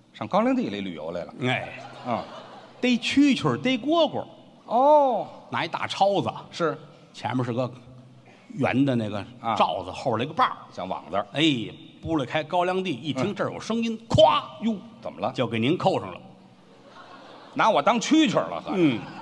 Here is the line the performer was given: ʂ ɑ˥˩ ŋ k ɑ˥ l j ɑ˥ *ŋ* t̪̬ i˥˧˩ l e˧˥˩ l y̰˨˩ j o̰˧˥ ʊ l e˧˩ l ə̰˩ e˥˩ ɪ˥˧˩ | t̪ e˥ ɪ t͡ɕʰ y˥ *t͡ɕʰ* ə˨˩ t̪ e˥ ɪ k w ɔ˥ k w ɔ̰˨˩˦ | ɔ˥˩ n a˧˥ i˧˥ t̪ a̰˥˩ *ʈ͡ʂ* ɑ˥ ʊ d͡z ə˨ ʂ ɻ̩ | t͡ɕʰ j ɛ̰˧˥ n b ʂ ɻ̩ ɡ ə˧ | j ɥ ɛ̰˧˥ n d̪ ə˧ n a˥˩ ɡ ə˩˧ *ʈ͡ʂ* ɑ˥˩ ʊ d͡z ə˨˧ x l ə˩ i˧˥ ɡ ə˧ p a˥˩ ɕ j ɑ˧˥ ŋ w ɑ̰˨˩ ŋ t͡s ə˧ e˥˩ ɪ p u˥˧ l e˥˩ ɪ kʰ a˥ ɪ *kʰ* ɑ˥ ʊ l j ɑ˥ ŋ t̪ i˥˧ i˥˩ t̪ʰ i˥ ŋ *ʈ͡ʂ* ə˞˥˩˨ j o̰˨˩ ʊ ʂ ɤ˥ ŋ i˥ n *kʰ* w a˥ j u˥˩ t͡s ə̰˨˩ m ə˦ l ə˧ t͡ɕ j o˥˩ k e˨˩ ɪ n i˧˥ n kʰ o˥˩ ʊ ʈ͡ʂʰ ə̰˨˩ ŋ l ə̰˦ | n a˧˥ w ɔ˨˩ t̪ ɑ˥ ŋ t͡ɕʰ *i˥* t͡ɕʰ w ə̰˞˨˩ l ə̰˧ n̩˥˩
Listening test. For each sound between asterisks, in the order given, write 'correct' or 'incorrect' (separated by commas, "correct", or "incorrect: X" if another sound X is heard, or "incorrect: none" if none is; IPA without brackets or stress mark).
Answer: correct, correct, incorrect: ʈ͡ʂʰ, correct, incorrect: k, correct, correct, incorrect: y˥